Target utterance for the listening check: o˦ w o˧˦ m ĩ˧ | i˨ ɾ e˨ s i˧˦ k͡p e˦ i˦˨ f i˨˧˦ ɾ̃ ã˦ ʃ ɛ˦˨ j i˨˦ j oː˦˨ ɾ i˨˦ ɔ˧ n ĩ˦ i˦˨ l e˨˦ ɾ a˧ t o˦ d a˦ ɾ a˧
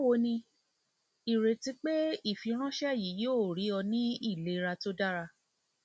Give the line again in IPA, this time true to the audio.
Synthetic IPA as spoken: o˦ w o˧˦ n ĩ˧ | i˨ ɾ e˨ t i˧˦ k͡p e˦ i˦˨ f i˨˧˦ ɾ̃ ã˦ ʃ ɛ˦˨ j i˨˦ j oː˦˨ ɾ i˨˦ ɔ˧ n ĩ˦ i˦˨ l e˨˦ ɾ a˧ t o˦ d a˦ ɾ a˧

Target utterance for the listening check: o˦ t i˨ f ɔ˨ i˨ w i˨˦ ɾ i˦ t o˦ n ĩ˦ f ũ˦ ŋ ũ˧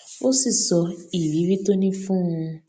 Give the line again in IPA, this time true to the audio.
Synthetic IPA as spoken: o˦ s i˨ s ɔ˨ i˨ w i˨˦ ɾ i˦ t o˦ n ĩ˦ f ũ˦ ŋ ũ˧

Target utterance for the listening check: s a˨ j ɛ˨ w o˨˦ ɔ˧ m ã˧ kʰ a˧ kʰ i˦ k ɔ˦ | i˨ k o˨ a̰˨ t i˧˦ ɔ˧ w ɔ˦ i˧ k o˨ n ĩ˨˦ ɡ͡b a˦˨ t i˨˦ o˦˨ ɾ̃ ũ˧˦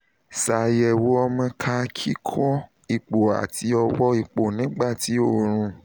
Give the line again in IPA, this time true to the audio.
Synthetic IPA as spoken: s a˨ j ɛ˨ w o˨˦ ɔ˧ m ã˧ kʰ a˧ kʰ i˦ kʰ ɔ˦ | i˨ k͡p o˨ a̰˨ t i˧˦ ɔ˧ w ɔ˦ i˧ k͡p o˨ n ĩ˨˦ ɡ͡b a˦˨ t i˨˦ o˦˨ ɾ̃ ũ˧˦

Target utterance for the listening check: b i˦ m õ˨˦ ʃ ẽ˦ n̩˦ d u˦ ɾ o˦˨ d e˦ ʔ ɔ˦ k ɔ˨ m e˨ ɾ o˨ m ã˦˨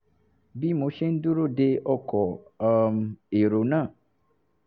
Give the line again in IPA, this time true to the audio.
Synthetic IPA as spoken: b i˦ m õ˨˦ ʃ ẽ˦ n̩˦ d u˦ ɾ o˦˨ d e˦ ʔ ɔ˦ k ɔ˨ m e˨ ɾ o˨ n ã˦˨

